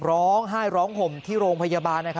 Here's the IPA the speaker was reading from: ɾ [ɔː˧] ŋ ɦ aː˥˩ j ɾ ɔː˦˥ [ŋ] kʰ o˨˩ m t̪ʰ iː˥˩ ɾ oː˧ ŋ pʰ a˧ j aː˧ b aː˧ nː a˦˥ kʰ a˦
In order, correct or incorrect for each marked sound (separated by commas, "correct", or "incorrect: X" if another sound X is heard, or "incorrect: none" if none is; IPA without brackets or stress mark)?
incorrect: ɔː˦˥, correct